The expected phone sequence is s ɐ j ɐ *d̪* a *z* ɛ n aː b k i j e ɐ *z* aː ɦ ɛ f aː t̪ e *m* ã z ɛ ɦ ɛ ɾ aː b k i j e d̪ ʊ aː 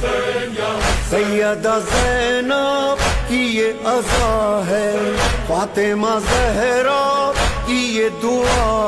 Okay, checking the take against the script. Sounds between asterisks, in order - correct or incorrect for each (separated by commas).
correct, correct, correct, correct